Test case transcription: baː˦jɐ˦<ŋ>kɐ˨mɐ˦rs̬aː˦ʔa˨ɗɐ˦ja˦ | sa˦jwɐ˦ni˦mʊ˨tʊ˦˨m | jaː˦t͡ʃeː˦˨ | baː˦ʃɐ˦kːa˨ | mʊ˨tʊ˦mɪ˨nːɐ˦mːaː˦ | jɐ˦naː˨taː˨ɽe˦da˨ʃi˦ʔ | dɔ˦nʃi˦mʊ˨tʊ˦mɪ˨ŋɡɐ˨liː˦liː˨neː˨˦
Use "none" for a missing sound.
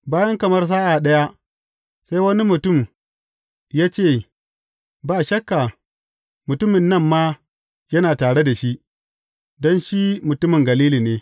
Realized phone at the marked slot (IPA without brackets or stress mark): ŋ